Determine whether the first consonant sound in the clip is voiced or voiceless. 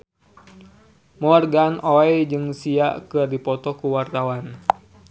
voiced